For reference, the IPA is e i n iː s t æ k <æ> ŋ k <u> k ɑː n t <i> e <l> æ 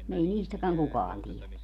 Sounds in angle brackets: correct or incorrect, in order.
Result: correct, correct, correct, correct

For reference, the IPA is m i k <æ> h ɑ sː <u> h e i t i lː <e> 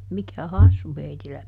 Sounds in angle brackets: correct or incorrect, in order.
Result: correct, correct, incorrect

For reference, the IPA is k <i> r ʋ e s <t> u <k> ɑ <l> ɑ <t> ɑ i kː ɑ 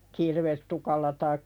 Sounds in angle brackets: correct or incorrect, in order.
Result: correct, correct, correct, incorrect, correct

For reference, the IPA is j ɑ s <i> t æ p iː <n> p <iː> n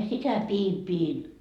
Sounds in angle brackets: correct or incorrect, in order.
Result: correct, incorrect, correct

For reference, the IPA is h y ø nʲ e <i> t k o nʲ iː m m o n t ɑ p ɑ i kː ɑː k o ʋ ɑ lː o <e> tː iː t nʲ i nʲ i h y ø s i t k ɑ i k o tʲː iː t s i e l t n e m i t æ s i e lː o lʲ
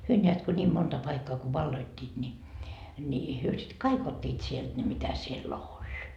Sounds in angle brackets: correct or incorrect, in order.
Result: incorrect, incorrect

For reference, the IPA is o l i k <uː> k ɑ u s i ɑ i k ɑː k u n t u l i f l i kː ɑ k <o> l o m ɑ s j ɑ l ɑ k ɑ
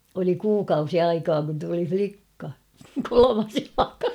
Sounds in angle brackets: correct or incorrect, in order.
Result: correct, correct

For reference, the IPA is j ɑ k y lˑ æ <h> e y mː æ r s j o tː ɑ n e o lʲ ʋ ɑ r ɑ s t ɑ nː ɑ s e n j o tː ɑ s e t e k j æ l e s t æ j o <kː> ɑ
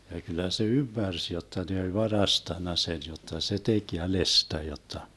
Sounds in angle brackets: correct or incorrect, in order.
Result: incorrect, incorrect

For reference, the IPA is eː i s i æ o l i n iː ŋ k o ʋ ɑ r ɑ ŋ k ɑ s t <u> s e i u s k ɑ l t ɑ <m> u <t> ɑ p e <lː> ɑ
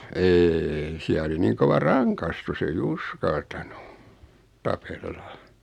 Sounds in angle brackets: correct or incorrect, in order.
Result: correct, incorrect, correct, correct

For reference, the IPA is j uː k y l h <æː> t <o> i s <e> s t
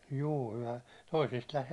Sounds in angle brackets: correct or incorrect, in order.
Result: incorrect, correct, incorrect

